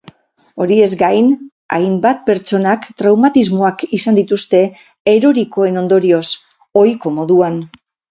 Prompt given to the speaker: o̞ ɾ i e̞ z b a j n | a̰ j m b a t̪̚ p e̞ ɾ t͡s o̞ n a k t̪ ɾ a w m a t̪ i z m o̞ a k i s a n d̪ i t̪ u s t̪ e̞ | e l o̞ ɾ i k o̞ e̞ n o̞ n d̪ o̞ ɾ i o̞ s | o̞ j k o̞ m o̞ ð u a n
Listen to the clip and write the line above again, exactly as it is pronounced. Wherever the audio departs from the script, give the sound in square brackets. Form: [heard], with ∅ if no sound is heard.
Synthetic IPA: o̞ ɾ i e̞ z [ɡ] a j n | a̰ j m b a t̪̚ p e̞ ɾ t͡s o̞ n a k t̪ ɾ a w m a t̪ i z m o̞ a k i s a n d̪ i t̪ u s t̪ e̞ | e [ɾ] o̞ ɾ i k o̞ e̞ n o̞ n d̪ o̞ ɾ i o̞ s | o̞ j k o̞ m o̞ ð u a n